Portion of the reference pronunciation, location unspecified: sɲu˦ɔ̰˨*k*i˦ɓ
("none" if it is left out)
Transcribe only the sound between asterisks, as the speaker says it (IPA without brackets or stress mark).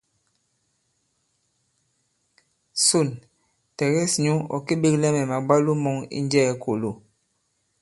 k